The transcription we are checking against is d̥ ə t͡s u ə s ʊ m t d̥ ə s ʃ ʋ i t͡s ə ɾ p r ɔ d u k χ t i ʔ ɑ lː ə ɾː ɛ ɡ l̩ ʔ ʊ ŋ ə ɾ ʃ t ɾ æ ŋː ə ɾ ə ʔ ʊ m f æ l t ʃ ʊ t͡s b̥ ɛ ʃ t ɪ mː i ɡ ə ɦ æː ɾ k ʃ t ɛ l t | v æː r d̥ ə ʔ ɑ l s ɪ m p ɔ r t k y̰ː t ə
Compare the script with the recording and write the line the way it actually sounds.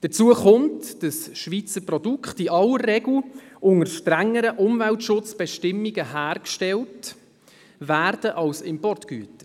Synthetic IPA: d̥ ə t͡s u ə χ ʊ m t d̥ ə s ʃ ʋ i t͡s ə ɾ p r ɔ d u k χ t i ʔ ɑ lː ə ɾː ɛ ɡ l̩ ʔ ʊ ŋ ə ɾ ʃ t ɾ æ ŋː ə ɾ ə ʔ ʊ m v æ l t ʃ ʊ t͡s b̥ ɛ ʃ t ɪ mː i ɡ ə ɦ æː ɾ k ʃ t ɛ l t | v æː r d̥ ə ʔ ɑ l s ɪ m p ɔ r t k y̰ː t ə